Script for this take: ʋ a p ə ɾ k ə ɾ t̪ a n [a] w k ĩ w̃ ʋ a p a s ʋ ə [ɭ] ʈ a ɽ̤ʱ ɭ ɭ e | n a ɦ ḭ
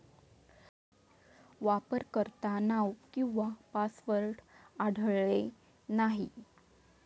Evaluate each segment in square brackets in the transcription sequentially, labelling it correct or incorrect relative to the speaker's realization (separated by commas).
correct, incorrect